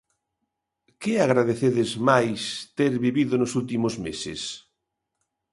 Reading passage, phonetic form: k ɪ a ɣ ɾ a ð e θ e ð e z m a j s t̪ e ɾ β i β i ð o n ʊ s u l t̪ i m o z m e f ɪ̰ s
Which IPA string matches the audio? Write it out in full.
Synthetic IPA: k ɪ a ɣ ɾ a ð e θ e ð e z m a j s t̪ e ɾ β i β i ð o n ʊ s u l t̪ i m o z m e s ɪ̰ s